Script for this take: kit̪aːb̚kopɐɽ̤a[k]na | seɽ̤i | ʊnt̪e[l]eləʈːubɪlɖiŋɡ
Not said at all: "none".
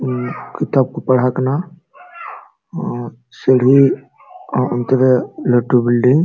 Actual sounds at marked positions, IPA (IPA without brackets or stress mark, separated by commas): k, ɾ